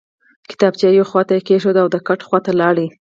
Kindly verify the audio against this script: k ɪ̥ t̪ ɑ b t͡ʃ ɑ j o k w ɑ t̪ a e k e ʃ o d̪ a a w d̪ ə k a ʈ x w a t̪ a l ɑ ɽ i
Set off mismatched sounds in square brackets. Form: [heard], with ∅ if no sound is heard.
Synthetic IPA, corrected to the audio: k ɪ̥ t̪ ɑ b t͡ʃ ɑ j o [x] w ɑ t̪ a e k e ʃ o d̪ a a w d̪ ə k a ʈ x w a t̪ a l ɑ ɽ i